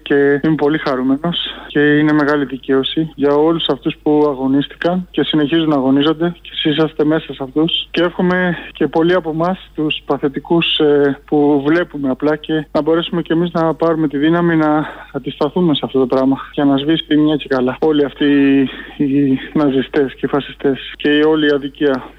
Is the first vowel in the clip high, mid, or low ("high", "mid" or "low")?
mid